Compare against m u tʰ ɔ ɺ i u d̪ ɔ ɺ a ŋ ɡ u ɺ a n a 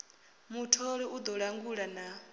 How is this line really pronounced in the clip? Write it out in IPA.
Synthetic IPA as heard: m u tʰ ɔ ɺ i u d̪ ɔ ɺ a ŋ ɡ u ɺ a n a